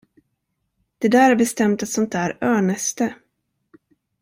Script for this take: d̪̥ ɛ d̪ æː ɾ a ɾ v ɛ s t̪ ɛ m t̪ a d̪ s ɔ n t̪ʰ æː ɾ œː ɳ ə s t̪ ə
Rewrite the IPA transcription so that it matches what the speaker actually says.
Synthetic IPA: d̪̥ ɛ d̪ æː ɾ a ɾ b ɛ s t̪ ɛ m t̪ a t̪ s ɔ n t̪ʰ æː ɾ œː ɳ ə s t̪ ə